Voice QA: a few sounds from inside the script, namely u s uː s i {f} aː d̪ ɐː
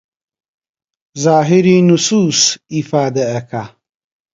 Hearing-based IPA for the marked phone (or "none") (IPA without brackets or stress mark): f